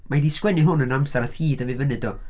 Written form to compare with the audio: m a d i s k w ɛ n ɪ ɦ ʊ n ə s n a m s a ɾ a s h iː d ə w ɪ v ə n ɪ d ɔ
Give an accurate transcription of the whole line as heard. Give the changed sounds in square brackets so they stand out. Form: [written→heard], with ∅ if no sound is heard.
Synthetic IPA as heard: m a d i s k w ɛ n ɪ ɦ ʊ n ə [s→∅] n a m s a ɾ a [s→θ] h iː d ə [w→v] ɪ v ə n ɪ d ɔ

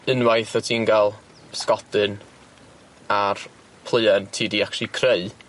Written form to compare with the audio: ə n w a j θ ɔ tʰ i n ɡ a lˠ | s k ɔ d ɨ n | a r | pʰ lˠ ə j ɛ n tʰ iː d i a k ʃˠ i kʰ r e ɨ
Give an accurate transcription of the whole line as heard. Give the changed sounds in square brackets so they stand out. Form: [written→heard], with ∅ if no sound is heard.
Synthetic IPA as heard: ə n w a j θ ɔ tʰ i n ɡ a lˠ | s k ɔ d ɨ n | a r | pʰ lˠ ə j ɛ n tʰ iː d i a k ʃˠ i kʰ r e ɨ

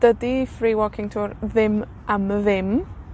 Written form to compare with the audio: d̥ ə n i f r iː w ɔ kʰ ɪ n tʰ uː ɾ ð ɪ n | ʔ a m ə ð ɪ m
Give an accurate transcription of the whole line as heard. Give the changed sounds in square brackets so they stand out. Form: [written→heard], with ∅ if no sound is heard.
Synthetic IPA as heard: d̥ ə [n→d] i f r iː w ɔ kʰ ɪ [n→ŋ] tʰ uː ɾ ð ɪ [n→m] | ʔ a m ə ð ɪ m

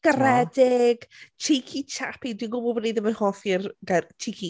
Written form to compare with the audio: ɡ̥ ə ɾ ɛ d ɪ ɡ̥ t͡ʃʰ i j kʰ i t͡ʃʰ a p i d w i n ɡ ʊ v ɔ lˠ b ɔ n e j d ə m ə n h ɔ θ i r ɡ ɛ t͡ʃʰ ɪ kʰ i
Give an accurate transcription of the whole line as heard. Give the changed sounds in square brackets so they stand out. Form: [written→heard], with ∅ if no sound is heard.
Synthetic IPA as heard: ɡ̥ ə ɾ ɛ d ɪ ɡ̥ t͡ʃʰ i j kʰ i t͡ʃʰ a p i d w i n ɡ ʊ [v→b] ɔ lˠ b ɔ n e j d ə m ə n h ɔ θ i r ɡ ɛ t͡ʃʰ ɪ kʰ i

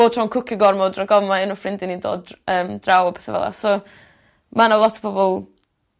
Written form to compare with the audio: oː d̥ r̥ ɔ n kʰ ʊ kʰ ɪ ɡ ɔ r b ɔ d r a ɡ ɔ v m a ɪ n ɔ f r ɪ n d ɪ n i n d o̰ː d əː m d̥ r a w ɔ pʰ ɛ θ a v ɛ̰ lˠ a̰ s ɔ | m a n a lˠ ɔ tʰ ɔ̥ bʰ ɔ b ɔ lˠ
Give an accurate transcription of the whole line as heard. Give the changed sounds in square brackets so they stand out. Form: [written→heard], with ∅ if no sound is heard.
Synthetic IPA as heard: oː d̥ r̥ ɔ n kʰ ʊ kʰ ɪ ɡ ɔ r [b→m] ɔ d r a ɡ ɔ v m a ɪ n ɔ f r ɪ n d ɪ n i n d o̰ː d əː m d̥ r a w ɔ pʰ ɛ θ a v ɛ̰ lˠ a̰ s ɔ | m a n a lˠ ɔ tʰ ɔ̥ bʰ ɔ b ɔ lˠ

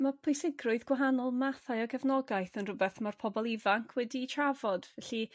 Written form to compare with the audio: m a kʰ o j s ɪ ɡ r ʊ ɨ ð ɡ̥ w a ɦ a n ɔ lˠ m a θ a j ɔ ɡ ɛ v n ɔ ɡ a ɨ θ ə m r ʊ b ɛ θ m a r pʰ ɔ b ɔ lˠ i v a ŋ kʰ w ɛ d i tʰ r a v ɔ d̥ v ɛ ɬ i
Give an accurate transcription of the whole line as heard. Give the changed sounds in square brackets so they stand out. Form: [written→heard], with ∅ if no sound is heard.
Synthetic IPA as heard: m a [kʰ→pʰ] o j s ɪ ɡ r ʊ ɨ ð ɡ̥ w a ɦ a n ɔ lˠ m a θ a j ɔ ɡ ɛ v n ɔ ɡ a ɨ θ ə [m→n] r ʊ b ɛ θ m a r pʰ ɔ b ɔ lˠ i v a ŋ kʰ w ɛ d i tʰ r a v ɔ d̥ v ɛ ɬ i

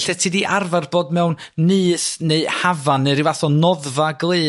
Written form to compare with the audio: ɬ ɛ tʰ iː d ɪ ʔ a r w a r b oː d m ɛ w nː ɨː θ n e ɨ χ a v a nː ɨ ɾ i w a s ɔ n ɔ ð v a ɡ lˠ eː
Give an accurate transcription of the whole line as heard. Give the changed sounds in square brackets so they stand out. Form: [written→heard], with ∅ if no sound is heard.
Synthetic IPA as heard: ɬ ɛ tʰ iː d [ɪ→i] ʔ a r [w→v] a r b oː d m ɛ w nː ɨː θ n e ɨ [χ→h] a v a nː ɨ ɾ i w a [s→θ] ɔ n ɔ ð v a ɡ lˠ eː

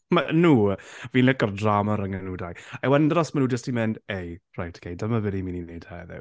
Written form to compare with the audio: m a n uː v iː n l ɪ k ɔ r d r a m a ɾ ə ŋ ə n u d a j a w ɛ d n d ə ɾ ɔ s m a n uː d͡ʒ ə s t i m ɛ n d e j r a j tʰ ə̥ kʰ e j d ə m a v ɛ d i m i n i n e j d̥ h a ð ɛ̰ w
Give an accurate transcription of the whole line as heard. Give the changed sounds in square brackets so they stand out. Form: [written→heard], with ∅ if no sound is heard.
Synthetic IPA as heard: m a n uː v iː n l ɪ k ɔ r d r a m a ɾ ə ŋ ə n u d a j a w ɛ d n d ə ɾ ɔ s m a n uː d͡ʒ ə s t i m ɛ n d e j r a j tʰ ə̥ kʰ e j d ə m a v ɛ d i m i n i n e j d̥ h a ð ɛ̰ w

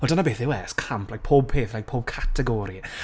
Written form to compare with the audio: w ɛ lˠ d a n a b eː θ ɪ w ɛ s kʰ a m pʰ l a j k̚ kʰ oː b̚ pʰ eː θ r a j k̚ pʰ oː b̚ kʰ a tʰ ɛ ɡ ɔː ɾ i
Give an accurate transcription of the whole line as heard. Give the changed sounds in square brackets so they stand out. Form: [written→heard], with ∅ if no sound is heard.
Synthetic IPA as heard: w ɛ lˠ d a n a b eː θ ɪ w ɛ s kʰ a m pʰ l a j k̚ [kʰ→pʰ] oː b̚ pʰ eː θ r a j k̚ pʰ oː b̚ kʰ a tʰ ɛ ɡ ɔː ɾ i

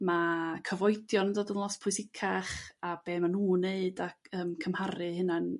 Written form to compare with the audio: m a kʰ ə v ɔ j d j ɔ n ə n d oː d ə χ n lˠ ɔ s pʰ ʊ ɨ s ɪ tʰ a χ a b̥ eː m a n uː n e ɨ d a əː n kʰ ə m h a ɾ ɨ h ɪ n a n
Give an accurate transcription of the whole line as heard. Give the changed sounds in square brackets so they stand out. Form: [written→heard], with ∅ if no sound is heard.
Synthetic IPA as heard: m a kʰ ə v ɔ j d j ɔ n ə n d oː d ə [χ→∅] n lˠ ɔ s pʰ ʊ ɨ s ɪ [tʰ→kʰ] a χ a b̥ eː m a n uː n e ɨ d a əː [n→m] kʰ ə m h a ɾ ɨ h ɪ n a n

